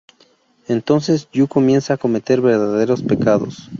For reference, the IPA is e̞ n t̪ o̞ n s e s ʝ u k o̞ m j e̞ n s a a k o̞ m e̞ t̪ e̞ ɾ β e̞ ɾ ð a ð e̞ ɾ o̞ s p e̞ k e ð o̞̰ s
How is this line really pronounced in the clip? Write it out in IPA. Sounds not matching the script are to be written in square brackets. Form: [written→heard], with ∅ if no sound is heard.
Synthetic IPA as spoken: e̞ n t̪ o̞ n s e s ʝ u k o̞ m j e̞ n s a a k o̞ m e̞ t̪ e̞ ɾ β e̞ ɾ ð a ð e̞ ɾ o̞ s p e̞ k [e→a] ð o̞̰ s